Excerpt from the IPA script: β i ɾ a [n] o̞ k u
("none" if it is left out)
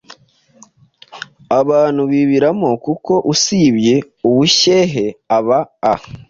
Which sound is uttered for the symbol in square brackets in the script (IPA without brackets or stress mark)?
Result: m